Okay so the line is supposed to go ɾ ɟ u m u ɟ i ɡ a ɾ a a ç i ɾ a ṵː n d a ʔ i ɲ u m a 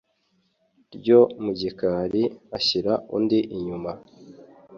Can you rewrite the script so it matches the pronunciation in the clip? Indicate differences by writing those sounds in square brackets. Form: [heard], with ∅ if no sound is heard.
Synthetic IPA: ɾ ɟ [o] m u ɟ i [k] a ɾ [i] a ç i ɾ a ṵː n d [i] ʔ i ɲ u m a